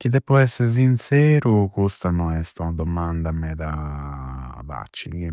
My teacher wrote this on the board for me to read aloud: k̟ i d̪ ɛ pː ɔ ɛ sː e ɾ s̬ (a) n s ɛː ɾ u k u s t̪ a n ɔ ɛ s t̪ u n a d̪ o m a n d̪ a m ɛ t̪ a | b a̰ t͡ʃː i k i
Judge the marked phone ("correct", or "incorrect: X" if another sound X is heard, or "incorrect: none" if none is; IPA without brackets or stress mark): incorrect: i